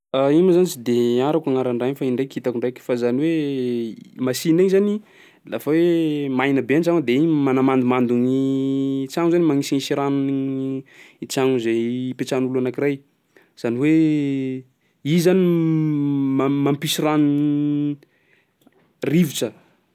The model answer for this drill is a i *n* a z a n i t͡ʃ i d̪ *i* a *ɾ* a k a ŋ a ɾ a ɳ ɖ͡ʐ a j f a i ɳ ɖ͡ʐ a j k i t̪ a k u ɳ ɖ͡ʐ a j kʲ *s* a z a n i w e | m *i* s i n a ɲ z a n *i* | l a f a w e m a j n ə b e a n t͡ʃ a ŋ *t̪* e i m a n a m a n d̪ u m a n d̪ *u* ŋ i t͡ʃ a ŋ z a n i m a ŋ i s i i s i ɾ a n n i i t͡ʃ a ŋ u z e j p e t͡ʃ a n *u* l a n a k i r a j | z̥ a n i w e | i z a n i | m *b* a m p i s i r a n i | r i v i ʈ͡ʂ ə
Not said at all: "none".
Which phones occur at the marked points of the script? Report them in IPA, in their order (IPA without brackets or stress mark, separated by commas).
m, e, ɾ, f, a, i, d̪, u, u, m